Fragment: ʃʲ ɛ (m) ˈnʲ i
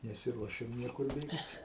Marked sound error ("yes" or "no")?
no